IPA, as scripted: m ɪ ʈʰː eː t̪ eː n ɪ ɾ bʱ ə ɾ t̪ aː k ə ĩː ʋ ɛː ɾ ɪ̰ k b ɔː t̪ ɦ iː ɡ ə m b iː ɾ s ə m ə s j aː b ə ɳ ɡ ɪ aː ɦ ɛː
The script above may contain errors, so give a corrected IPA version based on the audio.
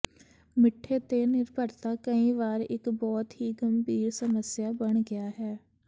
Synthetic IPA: m ɪ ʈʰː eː t̪ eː n ɪ ɾ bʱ ə ɾ t̪ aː k ə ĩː ʋ aː ɾ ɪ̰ k b ɔː t̪ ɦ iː ɡ ə m b iː ɾ s ə m ə s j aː b ə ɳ ɡ ɪ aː ɦ ɛː

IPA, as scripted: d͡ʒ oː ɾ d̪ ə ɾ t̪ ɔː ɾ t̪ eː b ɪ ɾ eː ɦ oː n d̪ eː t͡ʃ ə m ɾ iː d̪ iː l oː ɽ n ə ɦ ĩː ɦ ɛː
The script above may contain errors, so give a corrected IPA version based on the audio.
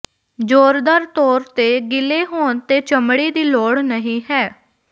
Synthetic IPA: d͡ʒ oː ɾ d̪ ə ɾ t̪ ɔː ɾ t̪ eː ɡ ɪ l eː ɦ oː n t̪ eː t͡ʃ ə m ɽ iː d̪ iː l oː ɽ n ə ɦ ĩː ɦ ɛː

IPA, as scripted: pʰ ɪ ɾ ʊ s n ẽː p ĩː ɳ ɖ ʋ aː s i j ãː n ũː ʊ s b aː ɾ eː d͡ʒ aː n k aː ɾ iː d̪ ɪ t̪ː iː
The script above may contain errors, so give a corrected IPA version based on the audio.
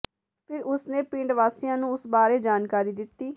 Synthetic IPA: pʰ ɪ ɾ ʊ s n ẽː p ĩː ɳ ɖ ʋ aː s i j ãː n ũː ʊ s b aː ɾ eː d͡ʒ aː n k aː ɾ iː d̪ ɪ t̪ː iː

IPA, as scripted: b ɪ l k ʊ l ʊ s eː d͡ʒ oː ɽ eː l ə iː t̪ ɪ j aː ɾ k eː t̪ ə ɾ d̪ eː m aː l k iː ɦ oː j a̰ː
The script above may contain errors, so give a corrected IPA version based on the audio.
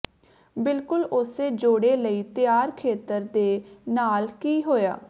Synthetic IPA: b ɪ l k ʊ l ʊ s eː d͡ʒ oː ɽ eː l ə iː t̪ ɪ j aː ɾ kʰ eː t̪ ə ɾ d̪ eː n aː l k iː ɦ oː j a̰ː

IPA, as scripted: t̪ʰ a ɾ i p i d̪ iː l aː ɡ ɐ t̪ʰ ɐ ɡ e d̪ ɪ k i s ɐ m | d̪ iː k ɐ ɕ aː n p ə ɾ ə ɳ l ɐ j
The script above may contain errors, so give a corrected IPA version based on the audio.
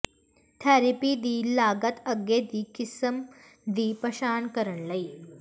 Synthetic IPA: t̪ʰ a ɾ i p i d̪ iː l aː ɡ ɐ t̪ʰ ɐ ɡ e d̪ i k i s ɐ m | d̪ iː p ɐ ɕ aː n k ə ɾ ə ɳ l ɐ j

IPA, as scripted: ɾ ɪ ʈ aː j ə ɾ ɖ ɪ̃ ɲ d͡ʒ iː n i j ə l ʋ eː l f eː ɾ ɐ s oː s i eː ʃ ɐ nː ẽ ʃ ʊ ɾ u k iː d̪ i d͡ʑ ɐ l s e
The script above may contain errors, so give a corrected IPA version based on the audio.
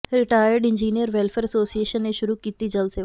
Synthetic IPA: ɾ ɪ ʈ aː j ə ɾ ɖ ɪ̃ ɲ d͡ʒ iː n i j ə ɾ ʋ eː l f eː ɾ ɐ s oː s i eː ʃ ə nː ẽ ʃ ʊ ɾ u k iː t̪ i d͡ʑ ɐ l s e

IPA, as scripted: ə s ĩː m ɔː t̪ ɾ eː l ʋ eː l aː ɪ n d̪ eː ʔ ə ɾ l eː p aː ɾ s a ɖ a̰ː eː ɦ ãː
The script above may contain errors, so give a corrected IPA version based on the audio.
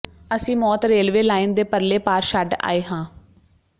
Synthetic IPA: ə s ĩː m ɔː t̪ ɾ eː l ʋ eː l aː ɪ n d̪ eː p ə ɾ l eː p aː ɾ ʃ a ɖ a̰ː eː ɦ ãː

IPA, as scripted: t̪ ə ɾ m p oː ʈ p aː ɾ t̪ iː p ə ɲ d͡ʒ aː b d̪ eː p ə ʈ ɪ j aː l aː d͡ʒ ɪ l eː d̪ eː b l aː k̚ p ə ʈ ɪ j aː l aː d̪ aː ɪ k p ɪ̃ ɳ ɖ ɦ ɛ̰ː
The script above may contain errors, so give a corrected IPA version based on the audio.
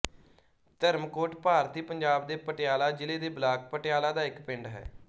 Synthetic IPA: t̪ ə ɾ m k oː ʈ p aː ɾ t̪ iː p ə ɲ d͡ʒ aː b d̪ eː p ə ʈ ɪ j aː l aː d͡ʒ ɪ l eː d̪ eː b l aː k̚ p ə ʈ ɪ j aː l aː d̪ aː ɪ k p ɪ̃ ɳ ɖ ɦ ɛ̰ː

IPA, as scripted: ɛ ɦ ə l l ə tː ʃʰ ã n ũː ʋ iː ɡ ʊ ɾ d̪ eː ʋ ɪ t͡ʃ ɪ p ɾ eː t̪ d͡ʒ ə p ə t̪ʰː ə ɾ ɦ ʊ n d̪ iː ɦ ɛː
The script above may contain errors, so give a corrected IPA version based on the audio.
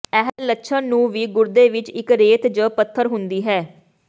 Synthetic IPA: ɛ ɦ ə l l ə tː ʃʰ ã n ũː ʋ iː ɡ ʊ ɾ d̪ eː ʋ ɪ t͡ʃ ɪ k ɾ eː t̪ d͡ʒ ə p ə t̪ʰː ə ɾ ɦ ʊ n d̪ iː ɦ ɛː

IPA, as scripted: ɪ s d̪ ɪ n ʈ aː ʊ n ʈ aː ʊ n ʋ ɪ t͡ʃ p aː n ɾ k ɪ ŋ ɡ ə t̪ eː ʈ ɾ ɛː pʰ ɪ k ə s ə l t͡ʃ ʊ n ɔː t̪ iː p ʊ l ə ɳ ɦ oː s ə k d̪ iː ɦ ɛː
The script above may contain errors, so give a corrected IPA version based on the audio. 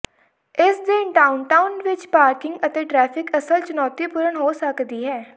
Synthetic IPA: ɪ s d̪ ɪ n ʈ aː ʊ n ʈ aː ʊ n ʋ ɪ t͡ʃ p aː ɾ k ɪ ŋ ɡ ə t̪ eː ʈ ɾ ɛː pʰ ɪ k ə s ə l t͡ʃ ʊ n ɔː t̪ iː p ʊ ɾ ə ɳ ɦ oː s ə k d̪ iː ɦ ɛː

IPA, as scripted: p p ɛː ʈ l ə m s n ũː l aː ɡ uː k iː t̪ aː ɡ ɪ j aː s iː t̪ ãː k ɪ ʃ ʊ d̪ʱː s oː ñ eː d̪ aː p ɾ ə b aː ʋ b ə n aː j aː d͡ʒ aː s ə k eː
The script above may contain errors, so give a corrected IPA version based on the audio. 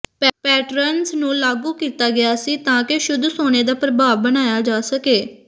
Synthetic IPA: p p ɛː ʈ ɾ ə n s n ũː l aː ɡ uː k iː t̪ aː ɡ ɪ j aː s iː t̪ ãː k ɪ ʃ ʊ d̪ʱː s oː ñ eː d̪ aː p ɾ ə b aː ʋ b ə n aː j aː d͡ʒ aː s ə k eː

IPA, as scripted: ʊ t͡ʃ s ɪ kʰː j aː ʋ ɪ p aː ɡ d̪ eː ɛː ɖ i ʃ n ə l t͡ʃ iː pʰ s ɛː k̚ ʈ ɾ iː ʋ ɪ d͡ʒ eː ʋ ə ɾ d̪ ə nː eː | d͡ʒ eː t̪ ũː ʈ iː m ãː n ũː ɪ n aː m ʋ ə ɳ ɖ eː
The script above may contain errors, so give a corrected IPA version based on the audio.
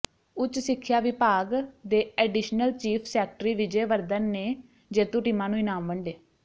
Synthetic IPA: ʊ t͡ʃ s ɪ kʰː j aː ʋ ɪ p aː ɡ d̪ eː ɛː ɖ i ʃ n ə l t͡ʃ iː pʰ s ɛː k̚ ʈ ɾ iː ʋ ɪ d͡ʒ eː ʋ ə ɾ d̪ ə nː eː | d͡ʒ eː t̪ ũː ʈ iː m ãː n ũː ɪ n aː m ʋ ə ɳ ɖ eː

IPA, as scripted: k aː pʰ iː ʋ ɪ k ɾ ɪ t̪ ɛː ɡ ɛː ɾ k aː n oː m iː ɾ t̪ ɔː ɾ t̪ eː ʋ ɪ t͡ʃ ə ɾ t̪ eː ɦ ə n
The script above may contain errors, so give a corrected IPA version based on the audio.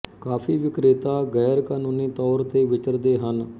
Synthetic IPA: k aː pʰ iː ʋ ɪ k ɾ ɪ t̪ aː ɡ ɛː ɾ k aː n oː n iː t̪ ɔː ɾ t̪ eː ʋ ɪ t͡ʃ ə ɾ d̪ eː ɦ ə n

